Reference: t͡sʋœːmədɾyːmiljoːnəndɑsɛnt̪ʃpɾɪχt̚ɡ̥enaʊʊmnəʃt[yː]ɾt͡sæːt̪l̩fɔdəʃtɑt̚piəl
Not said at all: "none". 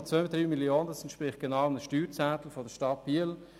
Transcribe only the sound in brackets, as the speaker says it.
yː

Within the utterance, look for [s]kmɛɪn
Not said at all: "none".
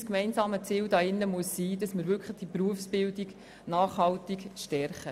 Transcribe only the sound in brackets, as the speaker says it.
s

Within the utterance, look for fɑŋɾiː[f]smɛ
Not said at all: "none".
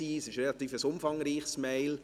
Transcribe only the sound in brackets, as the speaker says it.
χ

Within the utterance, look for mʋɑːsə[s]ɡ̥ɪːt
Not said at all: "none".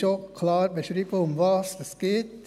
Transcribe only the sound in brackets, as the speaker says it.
s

